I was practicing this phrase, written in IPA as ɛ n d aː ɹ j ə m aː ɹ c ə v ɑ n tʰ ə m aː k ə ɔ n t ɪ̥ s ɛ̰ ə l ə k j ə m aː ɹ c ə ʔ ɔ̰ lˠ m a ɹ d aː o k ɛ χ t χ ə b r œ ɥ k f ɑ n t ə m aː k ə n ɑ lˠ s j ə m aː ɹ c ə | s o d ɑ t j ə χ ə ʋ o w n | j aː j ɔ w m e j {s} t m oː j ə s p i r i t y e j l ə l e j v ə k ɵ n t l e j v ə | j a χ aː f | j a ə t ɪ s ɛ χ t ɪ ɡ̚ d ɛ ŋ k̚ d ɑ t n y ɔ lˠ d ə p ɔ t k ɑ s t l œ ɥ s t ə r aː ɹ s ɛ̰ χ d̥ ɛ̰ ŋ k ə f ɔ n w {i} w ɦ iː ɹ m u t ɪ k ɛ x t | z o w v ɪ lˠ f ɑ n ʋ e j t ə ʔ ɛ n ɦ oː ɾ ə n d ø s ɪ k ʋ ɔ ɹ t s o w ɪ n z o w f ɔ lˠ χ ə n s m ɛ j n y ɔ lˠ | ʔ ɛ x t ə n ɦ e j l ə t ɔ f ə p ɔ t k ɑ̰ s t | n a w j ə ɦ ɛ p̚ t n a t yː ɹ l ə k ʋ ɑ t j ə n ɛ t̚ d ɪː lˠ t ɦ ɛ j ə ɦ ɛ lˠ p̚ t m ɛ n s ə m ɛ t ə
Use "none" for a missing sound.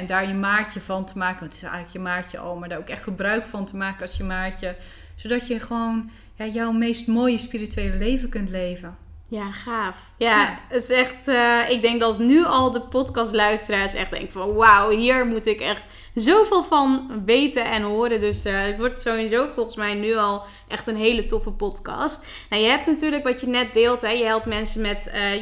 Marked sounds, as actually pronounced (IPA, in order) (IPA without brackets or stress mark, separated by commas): s, a